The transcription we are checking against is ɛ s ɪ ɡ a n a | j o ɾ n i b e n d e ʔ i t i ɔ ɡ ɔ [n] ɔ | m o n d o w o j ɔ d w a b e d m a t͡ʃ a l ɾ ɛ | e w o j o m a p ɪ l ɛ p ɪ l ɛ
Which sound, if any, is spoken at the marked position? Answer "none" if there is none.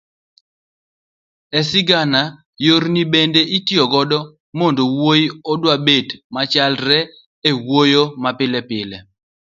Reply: d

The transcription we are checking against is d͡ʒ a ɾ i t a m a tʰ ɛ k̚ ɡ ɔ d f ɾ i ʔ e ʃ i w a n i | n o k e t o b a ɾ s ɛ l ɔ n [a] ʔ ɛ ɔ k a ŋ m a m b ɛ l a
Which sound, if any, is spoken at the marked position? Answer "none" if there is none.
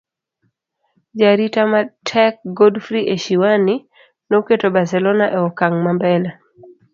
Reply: a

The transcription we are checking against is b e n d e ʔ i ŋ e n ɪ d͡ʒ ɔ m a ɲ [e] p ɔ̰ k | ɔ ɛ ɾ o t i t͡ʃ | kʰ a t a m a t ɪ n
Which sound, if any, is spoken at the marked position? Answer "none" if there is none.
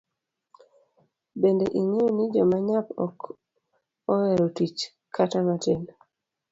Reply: a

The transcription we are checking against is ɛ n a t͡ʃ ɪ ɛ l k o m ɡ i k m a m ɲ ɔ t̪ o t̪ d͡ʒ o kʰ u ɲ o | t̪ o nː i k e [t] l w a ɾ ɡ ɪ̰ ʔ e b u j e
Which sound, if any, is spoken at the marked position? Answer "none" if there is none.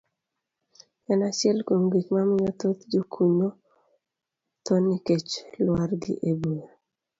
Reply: t͡ʃ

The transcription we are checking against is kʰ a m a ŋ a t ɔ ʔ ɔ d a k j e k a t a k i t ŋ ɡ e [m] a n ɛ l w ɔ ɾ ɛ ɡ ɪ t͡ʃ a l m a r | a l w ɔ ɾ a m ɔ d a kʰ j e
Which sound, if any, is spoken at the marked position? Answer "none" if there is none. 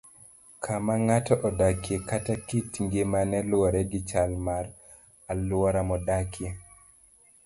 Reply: m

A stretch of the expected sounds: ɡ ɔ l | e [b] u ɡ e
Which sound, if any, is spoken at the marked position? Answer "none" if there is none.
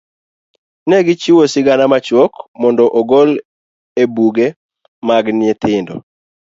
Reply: b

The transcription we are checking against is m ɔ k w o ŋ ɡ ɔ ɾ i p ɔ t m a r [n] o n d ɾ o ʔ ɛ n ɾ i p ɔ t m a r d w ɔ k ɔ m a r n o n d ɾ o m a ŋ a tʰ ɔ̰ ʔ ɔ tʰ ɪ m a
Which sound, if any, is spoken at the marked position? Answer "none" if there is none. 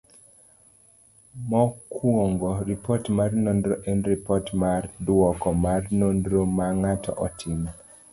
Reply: n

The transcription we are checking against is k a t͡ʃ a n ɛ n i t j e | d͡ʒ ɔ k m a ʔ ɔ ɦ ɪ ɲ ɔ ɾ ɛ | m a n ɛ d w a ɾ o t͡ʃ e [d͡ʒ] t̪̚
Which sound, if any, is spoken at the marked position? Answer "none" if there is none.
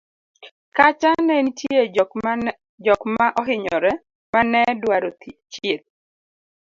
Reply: none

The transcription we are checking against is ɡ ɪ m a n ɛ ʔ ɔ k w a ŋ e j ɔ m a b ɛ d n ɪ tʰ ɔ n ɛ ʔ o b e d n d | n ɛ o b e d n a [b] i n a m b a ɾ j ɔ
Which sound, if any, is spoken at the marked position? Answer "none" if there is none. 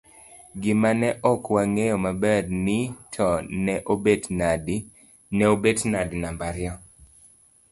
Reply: d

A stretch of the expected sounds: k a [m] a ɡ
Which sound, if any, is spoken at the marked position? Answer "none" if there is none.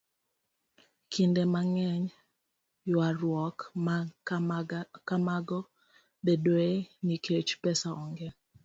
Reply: m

